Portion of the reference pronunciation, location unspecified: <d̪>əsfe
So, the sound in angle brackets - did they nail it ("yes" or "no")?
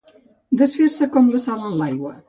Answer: yes